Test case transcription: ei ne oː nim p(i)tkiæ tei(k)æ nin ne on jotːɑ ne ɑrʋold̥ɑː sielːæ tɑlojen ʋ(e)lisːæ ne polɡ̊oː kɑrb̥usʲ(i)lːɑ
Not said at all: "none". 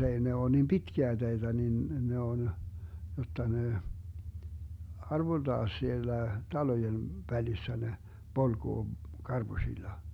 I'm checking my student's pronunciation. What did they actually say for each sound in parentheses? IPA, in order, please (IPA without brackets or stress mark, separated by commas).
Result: i, t, æ, i